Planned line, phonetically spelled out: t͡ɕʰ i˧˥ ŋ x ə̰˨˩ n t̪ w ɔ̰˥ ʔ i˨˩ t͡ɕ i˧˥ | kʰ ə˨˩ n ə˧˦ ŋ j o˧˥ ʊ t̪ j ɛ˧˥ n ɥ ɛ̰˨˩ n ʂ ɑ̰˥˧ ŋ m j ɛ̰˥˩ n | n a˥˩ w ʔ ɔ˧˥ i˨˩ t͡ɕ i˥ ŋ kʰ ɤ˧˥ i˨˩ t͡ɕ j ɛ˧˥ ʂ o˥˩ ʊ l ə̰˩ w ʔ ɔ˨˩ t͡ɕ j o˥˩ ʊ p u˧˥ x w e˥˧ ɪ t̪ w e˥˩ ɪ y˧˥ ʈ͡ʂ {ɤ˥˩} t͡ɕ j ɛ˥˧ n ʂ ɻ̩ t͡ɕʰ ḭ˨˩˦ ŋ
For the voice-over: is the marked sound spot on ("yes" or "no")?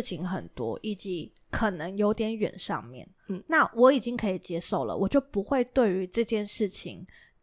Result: no